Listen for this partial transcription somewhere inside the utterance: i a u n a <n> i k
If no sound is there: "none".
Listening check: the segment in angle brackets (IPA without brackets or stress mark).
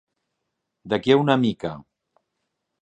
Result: m